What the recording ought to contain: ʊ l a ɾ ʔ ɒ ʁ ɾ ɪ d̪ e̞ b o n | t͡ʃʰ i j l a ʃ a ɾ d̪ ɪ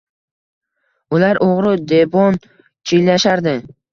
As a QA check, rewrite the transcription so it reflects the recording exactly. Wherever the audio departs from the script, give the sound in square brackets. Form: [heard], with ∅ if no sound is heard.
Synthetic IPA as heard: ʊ l a ɾ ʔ [o] ʁ ɾ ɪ d̪ e̞ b [ɒ] n | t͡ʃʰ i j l a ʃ a ɾ d̪ ɪ